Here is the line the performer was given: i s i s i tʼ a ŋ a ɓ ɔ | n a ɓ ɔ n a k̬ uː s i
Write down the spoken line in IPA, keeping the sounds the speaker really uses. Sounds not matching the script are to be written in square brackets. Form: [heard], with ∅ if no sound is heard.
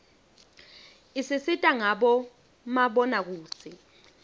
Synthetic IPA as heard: i s i s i tʼ a ŋ a ɓ ɔ | [m] a ɓ ɔ n a k̬ uː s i